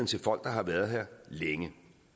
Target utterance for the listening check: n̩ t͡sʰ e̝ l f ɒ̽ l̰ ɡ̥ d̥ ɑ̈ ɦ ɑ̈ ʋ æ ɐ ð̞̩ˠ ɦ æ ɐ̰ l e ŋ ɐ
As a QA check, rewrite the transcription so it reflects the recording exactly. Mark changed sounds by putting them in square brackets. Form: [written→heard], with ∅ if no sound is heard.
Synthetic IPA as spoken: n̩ t͡sʰ e̝ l f ɒ̽ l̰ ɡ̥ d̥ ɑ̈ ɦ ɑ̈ ʋ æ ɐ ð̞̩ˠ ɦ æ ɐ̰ l e ŋ [ɐ→ə]